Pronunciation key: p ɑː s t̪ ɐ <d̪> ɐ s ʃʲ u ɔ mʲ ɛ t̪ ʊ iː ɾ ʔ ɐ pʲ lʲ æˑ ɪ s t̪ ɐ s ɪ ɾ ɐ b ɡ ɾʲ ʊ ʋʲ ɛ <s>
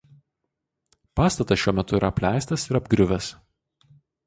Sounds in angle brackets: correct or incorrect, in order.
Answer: incorrect, correct

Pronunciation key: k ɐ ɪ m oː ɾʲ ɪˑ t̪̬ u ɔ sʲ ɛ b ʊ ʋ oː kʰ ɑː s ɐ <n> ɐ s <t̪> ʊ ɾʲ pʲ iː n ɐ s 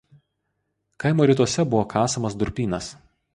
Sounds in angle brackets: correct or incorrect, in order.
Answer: incorrect, incorrect

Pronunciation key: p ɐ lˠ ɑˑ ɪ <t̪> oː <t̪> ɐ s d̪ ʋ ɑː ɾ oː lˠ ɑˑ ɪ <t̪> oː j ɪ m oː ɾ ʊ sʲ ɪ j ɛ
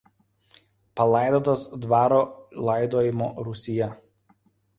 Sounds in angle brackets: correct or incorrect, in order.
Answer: incorrect, correct, incorrect

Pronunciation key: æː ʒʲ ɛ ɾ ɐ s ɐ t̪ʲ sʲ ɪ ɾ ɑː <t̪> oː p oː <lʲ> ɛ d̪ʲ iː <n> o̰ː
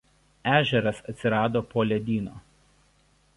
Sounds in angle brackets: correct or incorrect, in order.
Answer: incorrect, correct, correct

